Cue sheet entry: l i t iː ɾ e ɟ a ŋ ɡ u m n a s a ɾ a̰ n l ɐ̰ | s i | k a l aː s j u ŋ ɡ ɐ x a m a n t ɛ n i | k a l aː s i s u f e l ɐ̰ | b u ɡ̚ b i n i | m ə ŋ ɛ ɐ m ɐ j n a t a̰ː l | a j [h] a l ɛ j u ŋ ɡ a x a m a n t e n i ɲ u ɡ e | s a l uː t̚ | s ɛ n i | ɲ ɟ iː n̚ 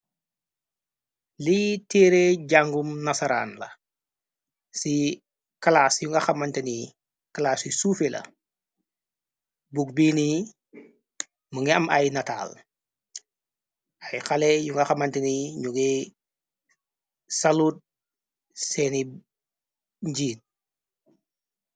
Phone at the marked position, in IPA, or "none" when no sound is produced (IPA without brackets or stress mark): x